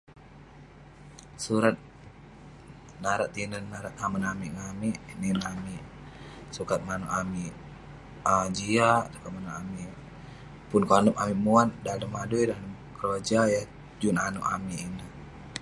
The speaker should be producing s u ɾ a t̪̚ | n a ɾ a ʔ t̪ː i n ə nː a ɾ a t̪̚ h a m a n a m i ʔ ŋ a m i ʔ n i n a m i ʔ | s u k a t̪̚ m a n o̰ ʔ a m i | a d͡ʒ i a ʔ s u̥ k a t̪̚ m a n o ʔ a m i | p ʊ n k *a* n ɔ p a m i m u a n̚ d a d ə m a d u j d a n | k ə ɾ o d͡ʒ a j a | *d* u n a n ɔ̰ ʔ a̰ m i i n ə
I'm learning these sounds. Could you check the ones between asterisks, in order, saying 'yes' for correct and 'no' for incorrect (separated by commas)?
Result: yes, no